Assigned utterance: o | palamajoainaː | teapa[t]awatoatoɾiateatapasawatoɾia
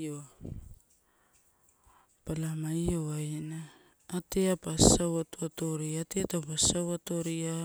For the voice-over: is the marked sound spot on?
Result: no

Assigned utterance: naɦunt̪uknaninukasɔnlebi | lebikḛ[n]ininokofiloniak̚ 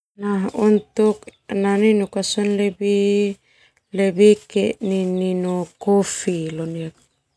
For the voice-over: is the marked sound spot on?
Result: yes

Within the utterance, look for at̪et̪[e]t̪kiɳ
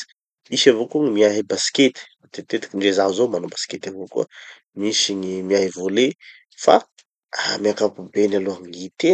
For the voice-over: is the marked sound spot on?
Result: yes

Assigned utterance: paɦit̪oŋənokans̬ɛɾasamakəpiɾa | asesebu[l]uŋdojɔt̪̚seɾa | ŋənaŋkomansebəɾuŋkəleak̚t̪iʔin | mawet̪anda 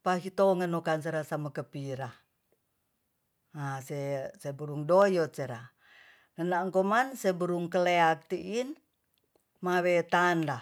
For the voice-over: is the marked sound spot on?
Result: no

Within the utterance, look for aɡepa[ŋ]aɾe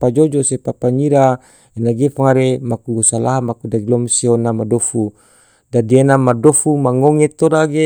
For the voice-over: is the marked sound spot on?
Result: yes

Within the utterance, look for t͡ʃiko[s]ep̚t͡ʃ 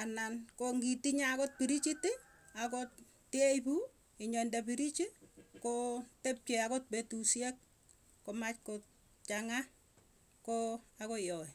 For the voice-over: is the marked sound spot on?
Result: no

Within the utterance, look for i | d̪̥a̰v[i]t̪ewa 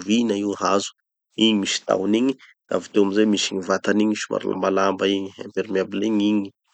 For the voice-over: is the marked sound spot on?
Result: yes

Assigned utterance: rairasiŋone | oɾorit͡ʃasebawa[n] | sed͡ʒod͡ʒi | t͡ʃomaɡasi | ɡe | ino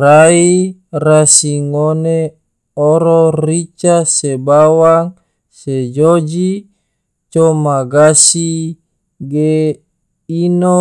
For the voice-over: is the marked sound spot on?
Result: no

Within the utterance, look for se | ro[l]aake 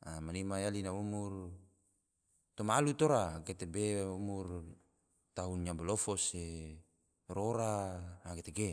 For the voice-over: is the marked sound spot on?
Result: no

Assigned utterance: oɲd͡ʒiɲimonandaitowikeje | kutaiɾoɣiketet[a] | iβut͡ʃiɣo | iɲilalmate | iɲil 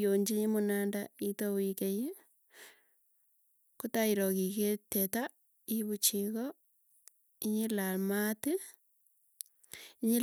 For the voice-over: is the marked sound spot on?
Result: yes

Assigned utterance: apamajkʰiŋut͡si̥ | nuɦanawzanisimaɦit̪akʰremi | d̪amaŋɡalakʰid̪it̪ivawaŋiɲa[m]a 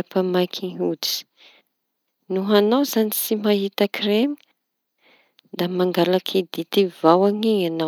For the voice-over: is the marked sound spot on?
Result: no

